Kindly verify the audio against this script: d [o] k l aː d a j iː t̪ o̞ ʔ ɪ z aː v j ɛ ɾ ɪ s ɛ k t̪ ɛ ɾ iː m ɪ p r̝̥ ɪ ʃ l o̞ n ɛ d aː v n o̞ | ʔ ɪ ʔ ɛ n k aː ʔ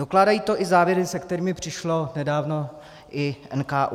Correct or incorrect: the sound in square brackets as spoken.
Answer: correct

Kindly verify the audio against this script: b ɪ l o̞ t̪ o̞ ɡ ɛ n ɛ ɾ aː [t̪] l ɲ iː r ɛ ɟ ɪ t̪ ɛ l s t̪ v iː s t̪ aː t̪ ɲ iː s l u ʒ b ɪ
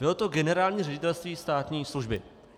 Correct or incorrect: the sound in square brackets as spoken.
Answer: incorrect: none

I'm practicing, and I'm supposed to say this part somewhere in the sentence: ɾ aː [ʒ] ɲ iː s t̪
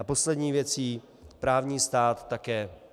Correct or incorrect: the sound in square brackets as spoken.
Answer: incorrect: v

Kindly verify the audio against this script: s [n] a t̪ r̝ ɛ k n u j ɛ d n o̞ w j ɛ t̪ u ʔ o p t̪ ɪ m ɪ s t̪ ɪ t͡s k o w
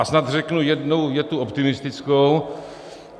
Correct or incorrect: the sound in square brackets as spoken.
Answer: correct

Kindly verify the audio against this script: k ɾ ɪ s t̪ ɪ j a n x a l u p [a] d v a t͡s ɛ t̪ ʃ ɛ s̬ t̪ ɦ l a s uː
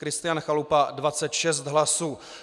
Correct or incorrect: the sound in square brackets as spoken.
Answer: correct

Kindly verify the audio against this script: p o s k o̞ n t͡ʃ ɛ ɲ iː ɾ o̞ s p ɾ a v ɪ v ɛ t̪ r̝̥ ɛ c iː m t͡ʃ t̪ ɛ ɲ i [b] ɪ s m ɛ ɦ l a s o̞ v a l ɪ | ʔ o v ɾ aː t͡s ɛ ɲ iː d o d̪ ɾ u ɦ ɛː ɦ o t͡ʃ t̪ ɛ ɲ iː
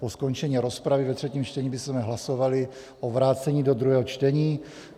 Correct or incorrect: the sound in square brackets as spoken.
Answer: correct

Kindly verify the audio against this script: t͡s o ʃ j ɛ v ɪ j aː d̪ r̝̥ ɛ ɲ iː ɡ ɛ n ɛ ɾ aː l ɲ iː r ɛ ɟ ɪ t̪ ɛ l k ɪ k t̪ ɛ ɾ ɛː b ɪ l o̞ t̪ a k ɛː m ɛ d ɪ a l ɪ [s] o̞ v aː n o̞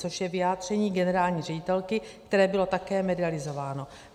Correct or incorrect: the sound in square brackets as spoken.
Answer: incorrect: z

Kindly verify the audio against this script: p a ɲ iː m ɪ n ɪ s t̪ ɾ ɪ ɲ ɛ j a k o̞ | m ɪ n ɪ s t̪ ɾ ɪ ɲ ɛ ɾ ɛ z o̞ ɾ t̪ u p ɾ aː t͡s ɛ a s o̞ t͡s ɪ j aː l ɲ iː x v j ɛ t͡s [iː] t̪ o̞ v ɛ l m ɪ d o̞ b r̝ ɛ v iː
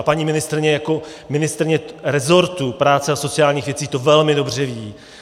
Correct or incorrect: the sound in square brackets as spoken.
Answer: correct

